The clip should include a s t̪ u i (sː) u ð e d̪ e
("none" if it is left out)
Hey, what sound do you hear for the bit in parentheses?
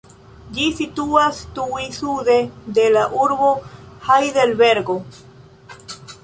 s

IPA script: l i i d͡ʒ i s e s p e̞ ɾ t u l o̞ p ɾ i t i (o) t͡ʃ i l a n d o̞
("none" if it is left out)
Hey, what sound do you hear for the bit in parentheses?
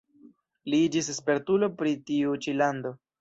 u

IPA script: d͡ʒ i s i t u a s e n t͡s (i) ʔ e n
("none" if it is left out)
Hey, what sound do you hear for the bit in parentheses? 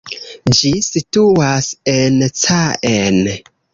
a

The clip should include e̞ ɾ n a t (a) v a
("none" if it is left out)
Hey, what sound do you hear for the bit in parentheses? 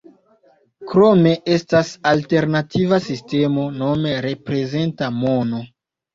i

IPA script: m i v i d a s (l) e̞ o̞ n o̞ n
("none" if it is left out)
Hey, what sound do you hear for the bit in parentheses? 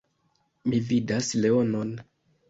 l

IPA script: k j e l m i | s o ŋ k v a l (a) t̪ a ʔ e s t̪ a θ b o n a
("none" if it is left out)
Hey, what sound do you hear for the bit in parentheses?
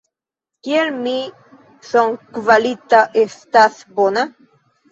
i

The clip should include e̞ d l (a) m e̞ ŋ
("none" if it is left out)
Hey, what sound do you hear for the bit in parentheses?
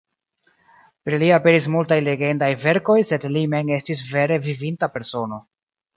i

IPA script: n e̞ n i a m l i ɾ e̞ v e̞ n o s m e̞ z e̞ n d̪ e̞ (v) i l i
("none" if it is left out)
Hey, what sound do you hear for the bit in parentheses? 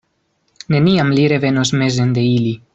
none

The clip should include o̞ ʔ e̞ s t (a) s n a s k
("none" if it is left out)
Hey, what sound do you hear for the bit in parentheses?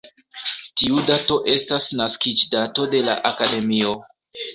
a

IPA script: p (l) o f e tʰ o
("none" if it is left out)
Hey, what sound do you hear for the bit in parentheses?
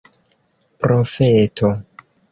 ɾ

